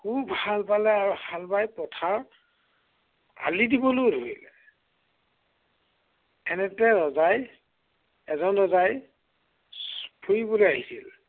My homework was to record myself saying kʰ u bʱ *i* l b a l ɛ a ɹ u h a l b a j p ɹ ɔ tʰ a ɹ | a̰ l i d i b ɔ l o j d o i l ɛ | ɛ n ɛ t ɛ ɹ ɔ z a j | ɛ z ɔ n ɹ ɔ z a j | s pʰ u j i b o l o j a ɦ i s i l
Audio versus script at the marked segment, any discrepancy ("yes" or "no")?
yes